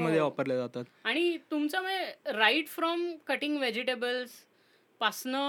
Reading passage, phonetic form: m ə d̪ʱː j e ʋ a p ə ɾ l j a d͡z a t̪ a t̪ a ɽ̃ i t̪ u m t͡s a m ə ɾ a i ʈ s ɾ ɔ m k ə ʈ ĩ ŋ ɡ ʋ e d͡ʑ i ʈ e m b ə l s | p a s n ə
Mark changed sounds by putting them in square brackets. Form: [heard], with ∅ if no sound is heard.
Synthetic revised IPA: m ə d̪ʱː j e ʋ a p ə ɾ l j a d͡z a t̪ a t̪ a ɽ̃ i t̪ u m t͡s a m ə ɾ a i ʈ [f] ɾ ɔ m k ə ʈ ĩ ŋ ɡ ʋ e d͡ʑ i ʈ e [∅] b ə l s | p a s n ə